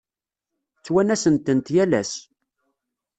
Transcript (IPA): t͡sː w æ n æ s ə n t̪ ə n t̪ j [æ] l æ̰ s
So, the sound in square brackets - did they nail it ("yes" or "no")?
yes